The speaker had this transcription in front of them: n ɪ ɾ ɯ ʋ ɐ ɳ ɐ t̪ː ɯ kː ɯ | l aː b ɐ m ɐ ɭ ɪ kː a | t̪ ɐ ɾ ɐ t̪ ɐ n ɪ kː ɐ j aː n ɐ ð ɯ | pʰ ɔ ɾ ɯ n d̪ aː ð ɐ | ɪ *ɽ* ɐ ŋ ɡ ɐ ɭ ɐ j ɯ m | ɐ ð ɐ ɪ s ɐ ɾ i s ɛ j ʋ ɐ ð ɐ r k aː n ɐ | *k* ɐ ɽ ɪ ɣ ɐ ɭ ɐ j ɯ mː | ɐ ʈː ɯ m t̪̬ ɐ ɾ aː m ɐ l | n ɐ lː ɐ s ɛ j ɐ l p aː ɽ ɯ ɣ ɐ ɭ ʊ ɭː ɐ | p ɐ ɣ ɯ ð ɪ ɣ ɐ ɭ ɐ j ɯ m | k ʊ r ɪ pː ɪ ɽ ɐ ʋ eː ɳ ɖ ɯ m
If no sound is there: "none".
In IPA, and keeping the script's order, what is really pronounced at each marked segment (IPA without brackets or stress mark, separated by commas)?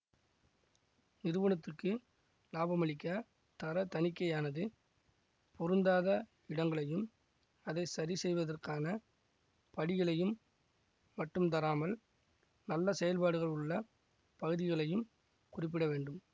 ɽ, p